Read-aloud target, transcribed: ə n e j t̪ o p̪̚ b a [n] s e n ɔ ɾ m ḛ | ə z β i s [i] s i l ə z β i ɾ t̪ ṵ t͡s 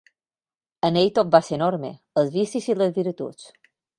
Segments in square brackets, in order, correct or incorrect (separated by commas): incorrect, correct